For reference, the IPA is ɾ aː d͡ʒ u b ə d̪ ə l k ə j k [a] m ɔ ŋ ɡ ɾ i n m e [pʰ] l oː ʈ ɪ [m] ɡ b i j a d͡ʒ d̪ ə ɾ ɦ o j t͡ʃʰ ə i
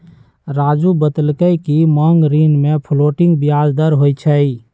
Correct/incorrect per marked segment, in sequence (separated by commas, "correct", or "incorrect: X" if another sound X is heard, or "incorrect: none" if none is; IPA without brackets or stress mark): incorrect: i, correct, incorrect: ŋ